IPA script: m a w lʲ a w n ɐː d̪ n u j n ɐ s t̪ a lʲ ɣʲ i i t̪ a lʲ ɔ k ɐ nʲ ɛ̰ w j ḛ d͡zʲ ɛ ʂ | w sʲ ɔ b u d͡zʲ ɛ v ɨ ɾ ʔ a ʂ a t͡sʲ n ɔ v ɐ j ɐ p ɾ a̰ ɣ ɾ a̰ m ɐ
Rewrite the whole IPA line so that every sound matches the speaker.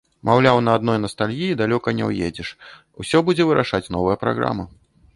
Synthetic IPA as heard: m a w lʲ a w n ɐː d̪ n ɔ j n ɐ s t̪ a lʲ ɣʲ i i d̪ a lʲ ɔ k ɐ nʲ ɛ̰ w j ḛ d͡zʲ ɛ ʂ | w sʲ ɔ b u d͡zʲ ɛ v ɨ ɾ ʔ a ʂ a t͡sʲ n ɔ v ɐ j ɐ p ɾ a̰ ɣ ɾ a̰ m ɐ